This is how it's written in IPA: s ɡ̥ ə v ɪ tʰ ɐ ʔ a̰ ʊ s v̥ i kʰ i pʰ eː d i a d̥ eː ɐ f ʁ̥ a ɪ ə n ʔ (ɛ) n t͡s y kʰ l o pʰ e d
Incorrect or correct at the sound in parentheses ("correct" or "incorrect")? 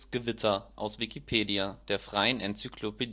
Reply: correct